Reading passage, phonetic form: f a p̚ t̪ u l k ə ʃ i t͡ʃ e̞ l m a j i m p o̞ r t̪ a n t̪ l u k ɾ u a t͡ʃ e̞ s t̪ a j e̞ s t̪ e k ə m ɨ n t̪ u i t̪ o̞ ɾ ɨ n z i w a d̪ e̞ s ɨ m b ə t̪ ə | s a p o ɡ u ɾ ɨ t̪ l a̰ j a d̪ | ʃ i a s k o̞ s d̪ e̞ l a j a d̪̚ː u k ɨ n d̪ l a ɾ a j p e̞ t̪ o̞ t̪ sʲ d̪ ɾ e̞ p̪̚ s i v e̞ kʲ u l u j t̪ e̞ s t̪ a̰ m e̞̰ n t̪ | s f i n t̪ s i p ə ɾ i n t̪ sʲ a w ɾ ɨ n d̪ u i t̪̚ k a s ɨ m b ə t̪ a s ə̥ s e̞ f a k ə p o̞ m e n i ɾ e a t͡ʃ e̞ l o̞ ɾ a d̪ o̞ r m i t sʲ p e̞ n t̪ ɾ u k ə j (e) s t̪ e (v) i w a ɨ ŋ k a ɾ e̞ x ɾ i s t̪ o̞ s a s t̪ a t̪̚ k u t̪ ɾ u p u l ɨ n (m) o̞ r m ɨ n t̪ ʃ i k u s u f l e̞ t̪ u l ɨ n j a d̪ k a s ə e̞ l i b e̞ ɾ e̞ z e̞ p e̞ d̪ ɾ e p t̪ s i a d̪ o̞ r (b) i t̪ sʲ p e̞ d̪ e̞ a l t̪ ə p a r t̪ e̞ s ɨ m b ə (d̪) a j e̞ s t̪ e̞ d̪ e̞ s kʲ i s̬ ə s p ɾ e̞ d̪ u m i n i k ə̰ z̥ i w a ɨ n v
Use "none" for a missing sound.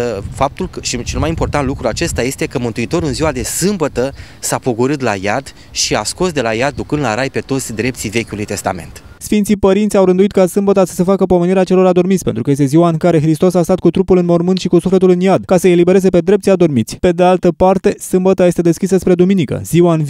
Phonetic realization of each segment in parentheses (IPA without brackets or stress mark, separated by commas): e, z, m, m, t̪